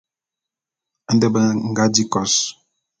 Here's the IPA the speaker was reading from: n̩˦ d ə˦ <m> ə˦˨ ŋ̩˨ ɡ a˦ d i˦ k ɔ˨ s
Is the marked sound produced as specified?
no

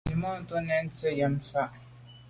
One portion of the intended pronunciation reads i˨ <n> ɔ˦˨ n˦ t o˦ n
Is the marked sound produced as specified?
no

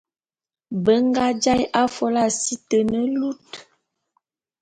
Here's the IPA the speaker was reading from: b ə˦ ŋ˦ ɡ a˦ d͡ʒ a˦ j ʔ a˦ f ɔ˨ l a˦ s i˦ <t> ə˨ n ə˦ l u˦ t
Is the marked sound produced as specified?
yes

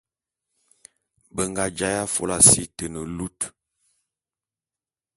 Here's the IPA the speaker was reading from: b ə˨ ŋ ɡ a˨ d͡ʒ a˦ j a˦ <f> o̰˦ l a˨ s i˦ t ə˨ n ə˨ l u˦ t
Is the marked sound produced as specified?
yes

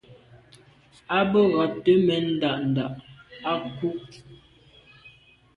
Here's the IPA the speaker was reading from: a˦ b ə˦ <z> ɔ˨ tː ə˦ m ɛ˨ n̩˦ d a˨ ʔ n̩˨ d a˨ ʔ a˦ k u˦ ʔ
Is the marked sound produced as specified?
no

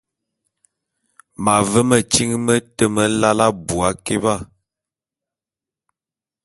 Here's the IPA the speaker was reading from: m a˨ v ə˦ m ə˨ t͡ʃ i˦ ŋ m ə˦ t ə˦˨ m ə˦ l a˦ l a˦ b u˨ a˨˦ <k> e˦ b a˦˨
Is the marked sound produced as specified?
yes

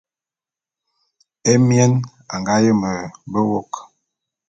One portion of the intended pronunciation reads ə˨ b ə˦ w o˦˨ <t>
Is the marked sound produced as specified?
no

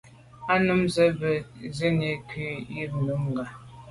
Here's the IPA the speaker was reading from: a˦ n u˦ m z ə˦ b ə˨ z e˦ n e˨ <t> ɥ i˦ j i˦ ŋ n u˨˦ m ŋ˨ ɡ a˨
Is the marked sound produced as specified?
no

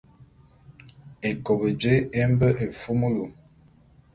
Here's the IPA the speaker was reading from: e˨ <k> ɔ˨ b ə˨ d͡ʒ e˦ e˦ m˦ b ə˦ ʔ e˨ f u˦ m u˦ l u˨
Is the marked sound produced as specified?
yes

